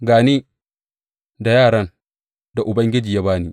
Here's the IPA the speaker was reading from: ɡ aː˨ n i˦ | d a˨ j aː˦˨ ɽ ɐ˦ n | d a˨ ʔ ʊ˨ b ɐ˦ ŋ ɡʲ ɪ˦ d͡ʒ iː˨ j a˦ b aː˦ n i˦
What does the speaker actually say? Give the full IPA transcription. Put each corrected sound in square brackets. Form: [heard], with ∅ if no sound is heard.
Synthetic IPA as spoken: ɡ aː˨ n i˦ | d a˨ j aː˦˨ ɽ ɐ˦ n | d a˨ ʔ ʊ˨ b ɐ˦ ŋ ɡʲ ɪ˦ d͡ʒ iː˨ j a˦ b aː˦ n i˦